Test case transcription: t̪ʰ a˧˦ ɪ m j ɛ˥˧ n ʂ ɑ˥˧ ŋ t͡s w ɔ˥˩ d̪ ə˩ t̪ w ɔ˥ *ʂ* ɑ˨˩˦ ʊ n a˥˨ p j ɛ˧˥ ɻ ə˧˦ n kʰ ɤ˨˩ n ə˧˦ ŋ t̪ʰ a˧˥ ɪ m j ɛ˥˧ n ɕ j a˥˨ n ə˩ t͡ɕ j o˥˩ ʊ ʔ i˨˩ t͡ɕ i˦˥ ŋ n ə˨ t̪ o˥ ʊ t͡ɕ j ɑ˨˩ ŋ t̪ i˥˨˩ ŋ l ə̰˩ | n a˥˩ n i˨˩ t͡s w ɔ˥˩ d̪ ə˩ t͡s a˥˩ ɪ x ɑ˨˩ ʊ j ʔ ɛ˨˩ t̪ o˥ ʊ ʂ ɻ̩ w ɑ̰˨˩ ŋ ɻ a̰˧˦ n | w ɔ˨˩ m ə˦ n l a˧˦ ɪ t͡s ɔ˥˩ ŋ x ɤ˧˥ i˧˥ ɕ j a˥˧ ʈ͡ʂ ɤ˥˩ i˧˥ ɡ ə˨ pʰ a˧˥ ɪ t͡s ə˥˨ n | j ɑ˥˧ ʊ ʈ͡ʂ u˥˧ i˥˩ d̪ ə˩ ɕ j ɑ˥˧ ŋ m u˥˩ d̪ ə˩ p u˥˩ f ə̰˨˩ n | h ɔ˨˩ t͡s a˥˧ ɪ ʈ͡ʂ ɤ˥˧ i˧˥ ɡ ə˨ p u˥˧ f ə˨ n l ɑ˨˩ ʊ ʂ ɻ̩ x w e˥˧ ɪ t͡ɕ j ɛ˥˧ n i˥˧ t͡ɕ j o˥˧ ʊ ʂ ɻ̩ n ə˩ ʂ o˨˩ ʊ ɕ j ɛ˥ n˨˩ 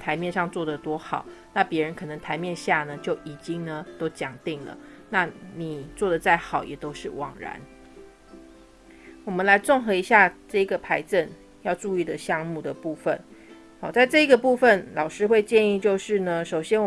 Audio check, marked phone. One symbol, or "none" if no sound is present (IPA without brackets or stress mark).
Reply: x